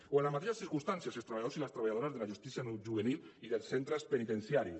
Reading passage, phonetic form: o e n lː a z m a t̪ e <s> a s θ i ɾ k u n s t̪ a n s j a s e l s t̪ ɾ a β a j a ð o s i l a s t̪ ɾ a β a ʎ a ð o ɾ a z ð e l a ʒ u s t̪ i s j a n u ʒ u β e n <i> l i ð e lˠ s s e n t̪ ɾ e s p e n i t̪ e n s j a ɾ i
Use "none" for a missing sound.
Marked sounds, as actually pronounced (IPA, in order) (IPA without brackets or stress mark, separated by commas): ʃ, i